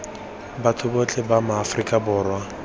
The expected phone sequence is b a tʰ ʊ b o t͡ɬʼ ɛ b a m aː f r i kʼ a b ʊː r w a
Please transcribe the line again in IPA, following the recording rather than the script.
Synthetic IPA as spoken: b a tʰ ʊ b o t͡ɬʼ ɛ b a m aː f r i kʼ a b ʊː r w a